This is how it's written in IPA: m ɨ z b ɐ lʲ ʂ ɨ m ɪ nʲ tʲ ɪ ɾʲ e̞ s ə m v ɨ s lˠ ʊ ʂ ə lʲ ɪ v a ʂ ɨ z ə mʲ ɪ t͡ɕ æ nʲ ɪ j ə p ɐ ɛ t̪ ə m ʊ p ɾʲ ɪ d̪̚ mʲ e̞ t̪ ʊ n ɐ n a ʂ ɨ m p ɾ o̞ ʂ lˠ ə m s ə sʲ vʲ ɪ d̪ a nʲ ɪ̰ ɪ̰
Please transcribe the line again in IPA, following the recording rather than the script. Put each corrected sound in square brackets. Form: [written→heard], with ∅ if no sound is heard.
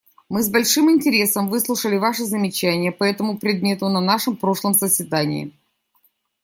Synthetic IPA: m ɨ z b ɐ lʲ ʂ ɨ m ɪ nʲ tʲ ɪ ɾʲ e̞ s ə m v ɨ s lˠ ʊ ʂ ə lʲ ɪ v a ʂ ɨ z ə mʲ ɪ t͡ɕ æ nʲ ɪ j ə p ɐ ɛ t̪ ə m ʊ p ɾʲ ɪ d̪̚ mʲ e̞ t̪ ʊ n ɐ n a ʂ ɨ m p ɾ o̞ ʂ lˠ ə m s ə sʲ vʲ ɪ d̪ a nʲ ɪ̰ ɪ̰

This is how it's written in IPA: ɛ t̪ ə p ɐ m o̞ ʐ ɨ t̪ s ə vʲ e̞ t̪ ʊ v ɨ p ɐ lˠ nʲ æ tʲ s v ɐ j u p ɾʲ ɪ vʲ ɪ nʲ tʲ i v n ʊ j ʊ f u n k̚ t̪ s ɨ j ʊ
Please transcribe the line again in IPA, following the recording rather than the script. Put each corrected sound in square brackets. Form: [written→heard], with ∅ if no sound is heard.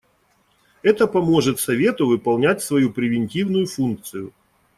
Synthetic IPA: ɛ t̪ ə p ɐ m o̞ ʐ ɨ t̪ s [ə→ɐ] vʲ e̞ t̪ ʊ v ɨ p ɐ lˠ nʲ æ tʲ s v ɐ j u p ɾʲ ɪ vʲ ɪ nʲ tʲ i v n ʊ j ʊ f u n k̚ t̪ s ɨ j ʊ

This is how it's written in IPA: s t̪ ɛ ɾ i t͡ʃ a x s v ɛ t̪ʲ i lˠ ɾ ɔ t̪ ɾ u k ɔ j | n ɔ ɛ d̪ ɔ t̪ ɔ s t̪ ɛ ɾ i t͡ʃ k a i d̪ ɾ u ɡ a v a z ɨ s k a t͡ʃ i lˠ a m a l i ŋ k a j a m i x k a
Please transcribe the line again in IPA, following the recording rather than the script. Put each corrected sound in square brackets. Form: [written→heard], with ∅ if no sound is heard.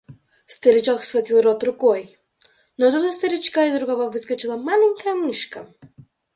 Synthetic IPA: s t̪ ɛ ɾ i t͡ʃ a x s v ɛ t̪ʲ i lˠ ɾ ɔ t̪ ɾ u k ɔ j | n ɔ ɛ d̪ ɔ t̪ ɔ s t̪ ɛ ɾ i t͡ʃ k a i d̪ ɾ u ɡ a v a [z→v] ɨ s k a t͡ʃ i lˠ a m a l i ŋ k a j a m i [x→ʃ] k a

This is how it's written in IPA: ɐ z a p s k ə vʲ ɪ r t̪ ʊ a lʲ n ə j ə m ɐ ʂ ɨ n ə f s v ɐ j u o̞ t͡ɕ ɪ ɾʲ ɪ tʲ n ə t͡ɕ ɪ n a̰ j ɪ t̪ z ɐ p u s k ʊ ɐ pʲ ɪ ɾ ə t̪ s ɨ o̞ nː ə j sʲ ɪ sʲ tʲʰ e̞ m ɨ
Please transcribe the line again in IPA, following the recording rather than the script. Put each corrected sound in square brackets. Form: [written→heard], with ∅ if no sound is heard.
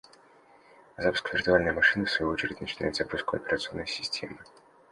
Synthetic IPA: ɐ z a p s k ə vʲ ɪ r t̪ ʊ a lʲ n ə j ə m ɐ ʂ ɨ n ə f s v ɐ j u o̞ t͡ɕ ɪ ɾʲ ɪ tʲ n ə t͡ɕ ɪ n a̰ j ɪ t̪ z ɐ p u s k ʊ ɐ pʲ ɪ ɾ ə t̪ s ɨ o̞ nː ə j sʲ ɪ sʲ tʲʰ e̞ m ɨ

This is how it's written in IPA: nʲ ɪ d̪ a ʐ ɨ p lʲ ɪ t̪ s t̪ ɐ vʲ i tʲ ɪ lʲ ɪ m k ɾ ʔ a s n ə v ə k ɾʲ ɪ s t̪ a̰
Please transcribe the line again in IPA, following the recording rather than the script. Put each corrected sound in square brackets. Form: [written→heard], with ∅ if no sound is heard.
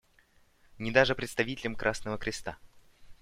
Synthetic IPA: nʲ ɪ d̪ a ʐ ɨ p [lʲ→ɾʲ] ɪ t̪ s t̪ ɐ vʲ i tʲ ɪ lʲ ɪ m k ɾ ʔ a s n ə v ə k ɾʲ ɪ s t̪ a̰

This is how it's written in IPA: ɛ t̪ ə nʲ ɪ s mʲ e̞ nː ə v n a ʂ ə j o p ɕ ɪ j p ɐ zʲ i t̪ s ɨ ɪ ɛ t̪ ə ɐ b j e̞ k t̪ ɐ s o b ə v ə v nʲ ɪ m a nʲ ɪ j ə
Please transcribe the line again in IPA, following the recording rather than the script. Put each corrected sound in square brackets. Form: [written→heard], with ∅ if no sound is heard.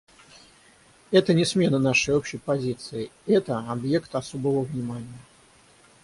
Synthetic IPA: ɛ t̪ ə nʲ ɪ s mʲ e̞ [nː→n] ə [v→∅] n a ʂ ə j o p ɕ ɪ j p ɐ zʲ i t̪ s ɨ ɪ ɛ t̪ ə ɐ b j e̞ k t̪ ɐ s o b ə v ə v nʲ ɪ m a nʲ ɪ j ə

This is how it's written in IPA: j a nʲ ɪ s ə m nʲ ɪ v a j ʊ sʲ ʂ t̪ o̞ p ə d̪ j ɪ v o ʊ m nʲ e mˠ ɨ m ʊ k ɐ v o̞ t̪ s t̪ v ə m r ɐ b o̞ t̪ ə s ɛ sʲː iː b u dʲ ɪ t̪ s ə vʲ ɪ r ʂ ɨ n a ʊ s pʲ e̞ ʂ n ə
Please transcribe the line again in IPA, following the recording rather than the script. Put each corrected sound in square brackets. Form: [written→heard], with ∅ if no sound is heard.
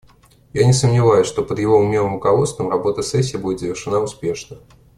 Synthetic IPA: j a nʲ ɪ s ə m nʲ ɪ v a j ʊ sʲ ʂ t̪ o̞ p ə d̪ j ɪ v o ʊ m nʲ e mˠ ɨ m ʊ k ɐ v o̞ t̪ s t̪ v ə m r ɐ b o̞ t̪ ə s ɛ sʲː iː b u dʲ ɪ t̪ [s→z] ə vʲ ɪ r ʂ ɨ n a ʊ s pʲ e̞ ʂ n ə

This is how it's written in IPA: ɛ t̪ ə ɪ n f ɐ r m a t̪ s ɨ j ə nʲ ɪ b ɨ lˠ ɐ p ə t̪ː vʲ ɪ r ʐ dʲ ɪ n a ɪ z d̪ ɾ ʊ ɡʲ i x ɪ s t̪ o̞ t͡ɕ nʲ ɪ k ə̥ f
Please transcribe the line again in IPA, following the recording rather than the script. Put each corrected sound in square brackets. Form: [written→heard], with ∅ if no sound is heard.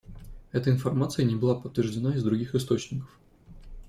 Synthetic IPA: ɛ t̪ ə ɪ n f ɐ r m a t̪ s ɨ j ə nʲ ɪ b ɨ lˠ [ɐ→a] p ə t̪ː vʲ ɪ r ʐ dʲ ɪ n a ɪ z d̪ ɾ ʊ ɡʲ i x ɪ s t̪ o̞ t͡ɕ nʲ ɪ k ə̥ f

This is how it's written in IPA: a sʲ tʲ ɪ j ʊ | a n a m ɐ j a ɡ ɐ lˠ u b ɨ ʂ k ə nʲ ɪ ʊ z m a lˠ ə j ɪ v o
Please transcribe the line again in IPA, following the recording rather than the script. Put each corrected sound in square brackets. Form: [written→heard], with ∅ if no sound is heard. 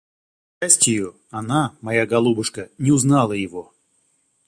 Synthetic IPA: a sʲ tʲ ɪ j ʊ | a n a m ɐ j a ɡ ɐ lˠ u b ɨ ʂ k ə nʲ ɪ ʊ z [m→n] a lˠ ə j ɪ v o

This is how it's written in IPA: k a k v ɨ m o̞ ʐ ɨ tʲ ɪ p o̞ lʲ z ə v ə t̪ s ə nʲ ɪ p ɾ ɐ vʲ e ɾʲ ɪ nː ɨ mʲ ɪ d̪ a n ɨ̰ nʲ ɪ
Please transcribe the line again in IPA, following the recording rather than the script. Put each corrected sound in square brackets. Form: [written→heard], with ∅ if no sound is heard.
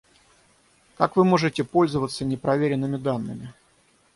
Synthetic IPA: k a k v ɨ m o̞ ʐ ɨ tʲ ɪ p o̞ lʲ z ə v ə t̪ s ə nʲ ɪ p ɾ ɐ vʲ e ɾʲ ɪ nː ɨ mʲ ɪ d̪ a [n→nː] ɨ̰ [nʲ→mʲ] ɪ

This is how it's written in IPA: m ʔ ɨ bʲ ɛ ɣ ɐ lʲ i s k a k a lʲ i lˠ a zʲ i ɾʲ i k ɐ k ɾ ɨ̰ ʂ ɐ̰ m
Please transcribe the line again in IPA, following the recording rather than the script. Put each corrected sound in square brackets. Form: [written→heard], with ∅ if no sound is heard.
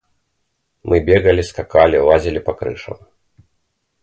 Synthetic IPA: m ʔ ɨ bʲ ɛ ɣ ɐ lʲ i s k a k a lʲ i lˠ a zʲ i [ɾʲ→lʲ] i [k→p] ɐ k ɾ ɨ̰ ʂ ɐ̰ m

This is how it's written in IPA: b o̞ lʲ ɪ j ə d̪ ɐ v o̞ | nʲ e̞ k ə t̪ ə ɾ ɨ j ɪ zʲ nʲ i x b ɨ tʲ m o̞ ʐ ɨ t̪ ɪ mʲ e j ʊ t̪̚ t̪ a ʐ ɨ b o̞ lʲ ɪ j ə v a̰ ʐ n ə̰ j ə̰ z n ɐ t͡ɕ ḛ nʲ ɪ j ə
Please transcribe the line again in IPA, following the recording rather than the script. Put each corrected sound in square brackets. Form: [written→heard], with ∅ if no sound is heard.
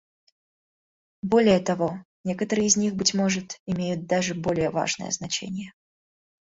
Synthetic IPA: b o̞ lʲ ɪ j ə [d̪→t̪] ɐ v o̞ | nʲ e̞ k ə t̪ ə ɾ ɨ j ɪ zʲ nʲ i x b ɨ tʲ m o̞ ʐ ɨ t̪ ɪ mʲ e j ʊ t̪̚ [t̪→d̪] a ʐ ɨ b o̞ lʲ ɪ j ə v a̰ ʐ n ə̰ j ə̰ z n ɐ t͡ɕ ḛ nʲ ɪ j ə

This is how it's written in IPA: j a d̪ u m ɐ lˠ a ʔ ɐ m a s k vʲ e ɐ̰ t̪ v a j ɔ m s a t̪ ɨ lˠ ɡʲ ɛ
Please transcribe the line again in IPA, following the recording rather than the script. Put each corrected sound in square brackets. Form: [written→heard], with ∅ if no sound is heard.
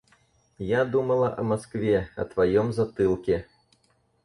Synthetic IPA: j a d̪ u m ɐ lˠ [a→ɐ] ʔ ɐ m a s k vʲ [e→ɛ] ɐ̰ t̪ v a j ɔ m [s→z] a t̪ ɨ lˠ [ɡʲ→kʲ] ɛ

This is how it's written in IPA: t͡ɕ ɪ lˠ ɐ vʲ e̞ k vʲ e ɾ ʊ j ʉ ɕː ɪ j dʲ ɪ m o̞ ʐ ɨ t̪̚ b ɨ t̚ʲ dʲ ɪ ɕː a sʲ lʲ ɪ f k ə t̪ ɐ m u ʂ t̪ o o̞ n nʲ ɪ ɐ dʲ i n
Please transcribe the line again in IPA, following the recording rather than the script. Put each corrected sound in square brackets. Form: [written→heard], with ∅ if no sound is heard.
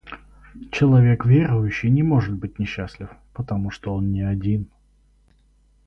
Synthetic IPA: t͡ɕ ɪ lˠ ɐ vʲ e̞ k vʲ e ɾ ʊ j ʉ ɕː ɪ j [dʲ→nʲ] ɪ m o̞ ʐ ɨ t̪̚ b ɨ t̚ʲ [dʲ→nʲ] ɪ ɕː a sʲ lʲ ɪ f [k→p] ə t̪ ɐ m u ʂ t̪ o o̞ n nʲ ɪ ɐ dʲ i n

